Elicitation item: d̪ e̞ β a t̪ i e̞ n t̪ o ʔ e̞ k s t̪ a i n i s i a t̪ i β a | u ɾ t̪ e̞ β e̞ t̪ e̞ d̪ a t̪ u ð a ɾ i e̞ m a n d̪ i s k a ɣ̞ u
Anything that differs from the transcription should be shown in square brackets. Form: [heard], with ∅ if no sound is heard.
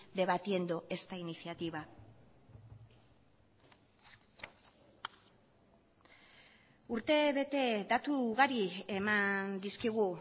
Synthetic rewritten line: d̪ e̞ β a t̪ i e̞ n [d̪] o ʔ e̞ [∅] s t̪ a i n i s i a t̪ i β a | u ɾ t̪ e̞ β e̞ t̪ e̞ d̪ a t̪ u [ɣ] a ɾ i e̞ m a n d̪ i s k [i] ɣ̞ u